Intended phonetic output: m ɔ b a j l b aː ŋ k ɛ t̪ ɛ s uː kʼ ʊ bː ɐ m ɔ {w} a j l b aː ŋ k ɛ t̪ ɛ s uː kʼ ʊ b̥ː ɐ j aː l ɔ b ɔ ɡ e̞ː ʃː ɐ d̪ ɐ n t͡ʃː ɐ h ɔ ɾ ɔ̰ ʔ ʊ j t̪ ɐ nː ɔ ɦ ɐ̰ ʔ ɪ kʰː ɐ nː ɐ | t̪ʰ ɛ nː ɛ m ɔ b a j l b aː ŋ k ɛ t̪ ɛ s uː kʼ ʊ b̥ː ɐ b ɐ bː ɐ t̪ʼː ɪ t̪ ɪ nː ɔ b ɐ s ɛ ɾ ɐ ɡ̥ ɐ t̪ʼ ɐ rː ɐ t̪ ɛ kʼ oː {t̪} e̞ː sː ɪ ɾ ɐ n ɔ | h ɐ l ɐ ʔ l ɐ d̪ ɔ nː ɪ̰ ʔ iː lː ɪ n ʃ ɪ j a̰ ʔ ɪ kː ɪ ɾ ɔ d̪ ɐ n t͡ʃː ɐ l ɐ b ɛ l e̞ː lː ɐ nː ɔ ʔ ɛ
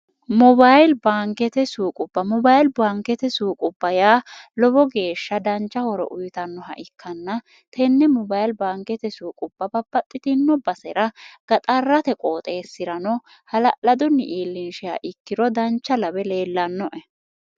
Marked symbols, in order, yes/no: no, no

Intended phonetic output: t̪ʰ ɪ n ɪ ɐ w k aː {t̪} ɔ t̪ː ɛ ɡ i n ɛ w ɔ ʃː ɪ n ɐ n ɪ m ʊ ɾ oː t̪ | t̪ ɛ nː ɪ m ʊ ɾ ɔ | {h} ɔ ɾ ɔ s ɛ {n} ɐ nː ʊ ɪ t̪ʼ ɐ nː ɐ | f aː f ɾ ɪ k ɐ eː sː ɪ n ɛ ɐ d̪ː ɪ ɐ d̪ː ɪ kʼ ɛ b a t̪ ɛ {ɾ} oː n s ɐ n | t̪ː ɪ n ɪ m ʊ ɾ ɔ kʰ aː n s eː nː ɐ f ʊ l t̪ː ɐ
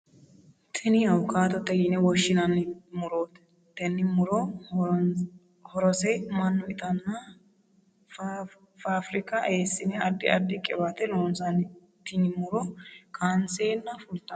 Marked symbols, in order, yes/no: yes, yes, no, no

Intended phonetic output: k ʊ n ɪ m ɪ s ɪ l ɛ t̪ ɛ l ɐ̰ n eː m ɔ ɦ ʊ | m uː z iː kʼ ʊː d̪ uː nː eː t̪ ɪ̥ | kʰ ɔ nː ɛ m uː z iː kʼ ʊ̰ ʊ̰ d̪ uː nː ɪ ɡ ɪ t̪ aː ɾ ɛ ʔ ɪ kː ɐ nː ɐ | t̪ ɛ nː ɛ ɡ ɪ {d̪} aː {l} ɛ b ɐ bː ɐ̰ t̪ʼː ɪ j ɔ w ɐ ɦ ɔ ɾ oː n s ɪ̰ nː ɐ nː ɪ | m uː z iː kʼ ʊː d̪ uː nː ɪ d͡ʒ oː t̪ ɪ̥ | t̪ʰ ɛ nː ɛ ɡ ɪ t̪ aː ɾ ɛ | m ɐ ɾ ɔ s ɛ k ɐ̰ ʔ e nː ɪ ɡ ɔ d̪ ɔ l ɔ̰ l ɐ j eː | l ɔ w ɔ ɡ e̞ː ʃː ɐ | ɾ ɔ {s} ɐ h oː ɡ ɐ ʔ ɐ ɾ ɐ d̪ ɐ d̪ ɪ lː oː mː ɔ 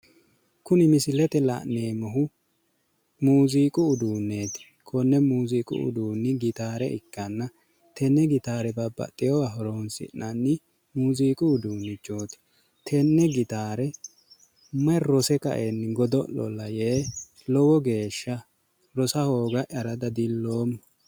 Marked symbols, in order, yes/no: no, no, yes

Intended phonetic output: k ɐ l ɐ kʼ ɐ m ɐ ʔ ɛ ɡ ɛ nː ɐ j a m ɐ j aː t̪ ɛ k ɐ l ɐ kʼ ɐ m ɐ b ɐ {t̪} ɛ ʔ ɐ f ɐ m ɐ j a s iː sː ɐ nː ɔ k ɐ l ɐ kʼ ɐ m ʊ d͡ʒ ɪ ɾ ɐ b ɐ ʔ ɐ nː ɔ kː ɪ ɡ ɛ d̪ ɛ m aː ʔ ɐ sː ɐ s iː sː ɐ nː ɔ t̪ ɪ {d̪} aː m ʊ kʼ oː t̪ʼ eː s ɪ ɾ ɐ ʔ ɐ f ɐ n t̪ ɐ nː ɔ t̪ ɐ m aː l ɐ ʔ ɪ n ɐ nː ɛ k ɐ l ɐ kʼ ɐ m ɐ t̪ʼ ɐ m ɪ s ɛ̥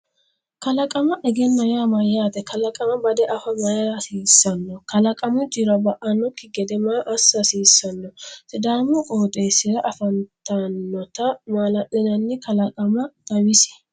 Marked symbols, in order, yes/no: no, yes

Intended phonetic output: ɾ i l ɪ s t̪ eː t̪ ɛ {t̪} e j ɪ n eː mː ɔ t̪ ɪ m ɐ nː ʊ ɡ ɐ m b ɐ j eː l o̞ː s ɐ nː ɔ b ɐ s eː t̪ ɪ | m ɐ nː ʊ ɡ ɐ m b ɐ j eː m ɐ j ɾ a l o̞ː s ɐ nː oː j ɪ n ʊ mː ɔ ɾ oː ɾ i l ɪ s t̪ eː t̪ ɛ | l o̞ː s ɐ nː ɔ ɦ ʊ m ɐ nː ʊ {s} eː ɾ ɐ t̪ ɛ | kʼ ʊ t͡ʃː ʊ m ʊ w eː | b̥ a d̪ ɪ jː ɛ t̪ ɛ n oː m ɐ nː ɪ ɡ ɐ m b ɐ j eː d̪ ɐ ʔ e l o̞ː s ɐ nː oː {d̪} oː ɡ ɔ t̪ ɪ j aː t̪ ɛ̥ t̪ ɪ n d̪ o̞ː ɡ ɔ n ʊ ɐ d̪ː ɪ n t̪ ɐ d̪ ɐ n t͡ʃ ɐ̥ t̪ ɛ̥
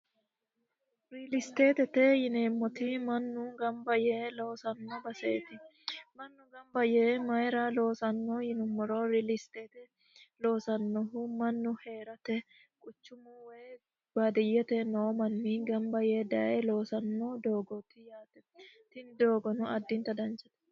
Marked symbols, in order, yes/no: yes, no, yes

